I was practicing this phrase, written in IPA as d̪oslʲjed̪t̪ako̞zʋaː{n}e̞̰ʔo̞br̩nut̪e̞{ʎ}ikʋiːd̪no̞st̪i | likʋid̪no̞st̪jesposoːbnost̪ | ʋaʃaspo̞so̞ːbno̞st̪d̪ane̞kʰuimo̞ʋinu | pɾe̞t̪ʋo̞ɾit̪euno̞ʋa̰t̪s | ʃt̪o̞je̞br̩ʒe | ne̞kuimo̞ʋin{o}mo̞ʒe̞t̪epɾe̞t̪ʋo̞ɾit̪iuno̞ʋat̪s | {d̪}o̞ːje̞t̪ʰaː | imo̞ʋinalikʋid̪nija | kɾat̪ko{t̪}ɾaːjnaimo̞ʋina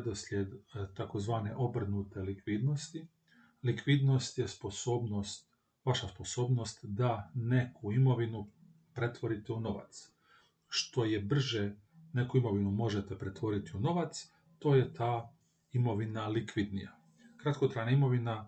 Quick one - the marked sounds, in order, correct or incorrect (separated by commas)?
correct, incorrect, incorrect, incorrect, correct